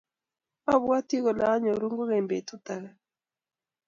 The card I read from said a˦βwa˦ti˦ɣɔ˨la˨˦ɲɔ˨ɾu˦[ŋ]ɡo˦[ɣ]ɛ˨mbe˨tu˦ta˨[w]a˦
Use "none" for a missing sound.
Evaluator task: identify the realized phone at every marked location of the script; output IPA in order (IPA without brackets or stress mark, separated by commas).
ŋ, ɣ, ɣ